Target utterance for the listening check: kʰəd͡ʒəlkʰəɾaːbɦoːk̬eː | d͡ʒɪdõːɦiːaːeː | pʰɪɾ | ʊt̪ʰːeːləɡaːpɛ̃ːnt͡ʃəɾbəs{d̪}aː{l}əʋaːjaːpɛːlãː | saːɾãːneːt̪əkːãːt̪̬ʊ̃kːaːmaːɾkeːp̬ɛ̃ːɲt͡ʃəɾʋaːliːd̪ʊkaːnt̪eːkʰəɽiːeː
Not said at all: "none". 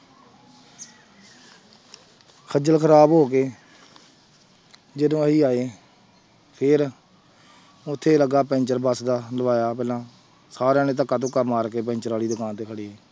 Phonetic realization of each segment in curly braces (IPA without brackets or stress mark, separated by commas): d̪, l